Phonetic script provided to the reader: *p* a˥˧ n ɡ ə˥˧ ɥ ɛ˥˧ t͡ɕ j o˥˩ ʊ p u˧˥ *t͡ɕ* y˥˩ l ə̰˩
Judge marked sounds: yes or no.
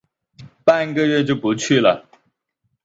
yes, no

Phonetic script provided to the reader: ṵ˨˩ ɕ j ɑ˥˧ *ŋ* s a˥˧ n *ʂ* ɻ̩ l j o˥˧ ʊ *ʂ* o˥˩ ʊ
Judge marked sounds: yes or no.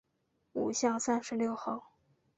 yes, yes, no

